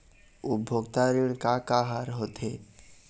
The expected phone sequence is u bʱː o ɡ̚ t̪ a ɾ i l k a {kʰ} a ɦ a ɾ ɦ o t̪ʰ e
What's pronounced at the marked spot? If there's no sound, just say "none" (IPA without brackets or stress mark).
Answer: k